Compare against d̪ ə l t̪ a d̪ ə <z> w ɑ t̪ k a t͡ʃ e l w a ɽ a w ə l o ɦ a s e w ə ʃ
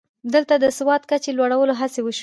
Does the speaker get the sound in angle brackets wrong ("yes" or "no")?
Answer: yes